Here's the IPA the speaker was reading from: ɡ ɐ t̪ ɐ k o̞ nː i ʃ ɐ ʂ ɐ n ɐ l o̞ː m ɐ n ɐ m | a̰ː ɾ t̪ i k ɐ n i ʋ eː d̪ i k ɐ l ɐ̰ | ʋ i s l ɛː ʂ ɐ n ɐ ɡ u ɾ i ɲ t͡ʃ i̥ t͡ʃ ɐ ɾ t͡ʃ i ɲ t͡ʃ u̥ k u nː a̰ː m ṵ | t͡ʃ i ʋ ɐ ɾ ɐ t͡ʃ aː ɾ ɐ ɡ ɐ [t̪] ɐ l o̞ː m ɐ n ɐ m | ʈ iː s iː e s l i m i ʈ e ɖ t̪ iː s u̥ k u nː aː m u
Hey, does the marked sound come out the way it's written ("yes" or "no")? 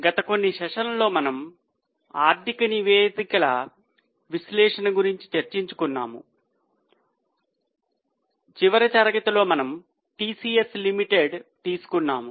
yes